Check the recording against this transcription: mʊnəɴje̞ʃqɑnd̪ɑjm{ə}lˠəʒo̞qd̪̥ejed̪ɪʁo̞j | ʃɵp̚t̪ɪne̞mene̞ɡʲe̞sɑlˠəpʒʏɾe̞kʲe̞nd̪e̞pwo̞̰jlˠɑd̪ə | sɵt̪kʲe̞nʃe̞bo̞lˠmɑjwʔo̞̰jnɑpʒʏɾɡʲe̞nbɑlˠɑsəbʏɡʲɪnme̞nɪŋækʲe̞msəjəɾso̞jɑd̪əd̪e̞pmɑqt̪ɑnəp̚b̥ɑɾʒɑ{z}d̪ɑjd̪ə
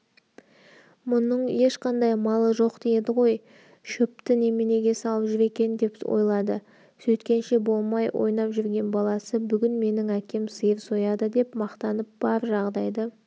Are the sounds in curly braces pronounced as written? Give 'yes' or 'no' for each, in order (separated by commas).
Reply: no, no